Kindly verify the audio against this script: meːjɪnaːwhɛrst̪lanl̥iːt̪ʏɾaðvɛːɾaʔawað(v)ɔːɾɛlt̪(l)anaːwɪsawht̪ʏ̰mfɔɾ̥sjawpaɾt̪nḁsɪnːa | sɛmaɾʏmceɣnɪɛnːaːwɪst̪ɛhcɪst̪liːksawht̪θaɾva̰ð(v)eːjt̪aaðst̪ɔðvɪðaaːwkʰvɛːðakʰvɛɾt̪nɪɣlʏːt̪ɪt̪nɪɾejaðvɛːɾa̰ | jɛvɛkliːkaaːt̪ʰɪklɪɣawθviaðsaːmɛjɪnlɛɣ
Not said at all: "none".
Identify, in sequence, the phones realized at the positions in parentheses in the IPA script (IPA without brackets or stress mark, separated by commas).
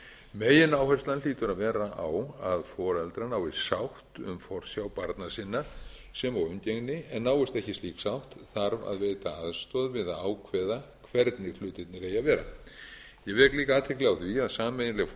f, ɾ, v